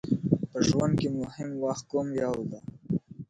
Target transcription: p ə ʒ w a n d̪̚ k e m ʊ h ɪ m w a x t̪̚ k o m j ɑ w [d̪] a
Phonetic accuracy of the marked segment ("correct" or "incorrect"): correct